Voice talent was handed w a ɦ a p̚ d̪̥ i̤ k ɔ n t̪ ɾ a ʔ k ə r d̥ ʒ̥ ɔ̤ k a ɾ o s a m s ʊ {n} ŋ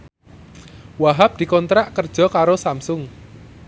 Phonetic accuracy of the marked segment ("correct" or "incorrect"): incorrect